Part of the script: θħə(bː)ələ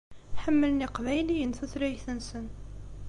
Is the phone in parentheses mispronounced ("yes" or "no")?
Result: yes